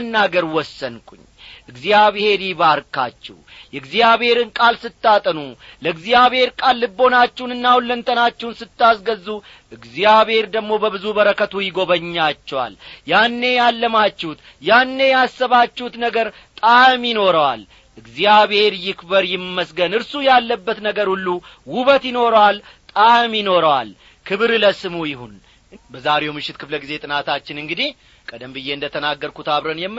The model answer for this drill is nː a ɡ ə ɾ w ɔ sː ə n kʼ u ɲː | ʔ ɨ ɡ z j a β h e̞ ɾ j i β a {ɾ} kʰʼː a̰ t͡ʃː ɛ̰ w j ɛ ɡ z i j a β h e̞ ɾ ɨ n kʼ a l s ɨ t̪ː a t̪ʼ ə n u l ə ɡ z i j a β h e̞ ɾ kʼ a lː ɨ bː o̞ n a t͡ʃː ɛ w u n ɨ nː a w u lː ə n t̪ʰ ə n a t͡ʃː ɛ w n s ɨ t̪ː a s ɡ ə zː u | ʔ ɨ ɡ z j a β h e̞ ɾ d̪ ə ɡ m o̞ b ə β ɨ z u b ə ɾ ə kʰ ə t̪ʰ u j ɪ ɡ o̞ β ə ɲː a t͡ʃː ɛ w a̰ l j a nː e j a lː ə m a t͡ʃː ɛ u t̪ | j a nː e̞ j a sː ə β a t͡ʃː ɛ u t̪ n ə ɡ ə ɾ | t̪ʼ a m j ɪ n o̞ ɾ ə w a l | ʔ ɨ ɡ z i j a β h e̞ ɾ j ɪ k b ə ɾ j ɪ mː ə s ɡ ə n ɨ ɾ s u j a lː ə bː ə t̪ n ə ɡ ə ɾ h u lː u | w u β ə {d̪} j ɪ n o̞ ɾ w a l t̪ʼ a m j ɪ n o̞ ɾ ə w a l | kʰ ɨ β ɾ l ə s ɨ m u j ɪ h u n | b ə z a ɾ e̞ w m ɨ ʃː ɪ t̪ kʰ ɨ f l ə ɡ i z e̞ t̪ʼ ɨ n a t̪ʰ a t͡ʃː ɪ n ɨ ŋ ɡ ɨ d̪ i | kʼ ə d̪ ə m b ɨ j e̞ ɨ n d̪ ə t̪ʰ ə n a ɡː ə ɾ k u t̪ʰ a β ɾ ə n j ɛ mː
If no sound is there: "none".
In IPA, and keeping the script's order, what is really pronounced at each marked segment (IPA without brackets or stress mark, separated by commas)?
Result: ɾ, t̪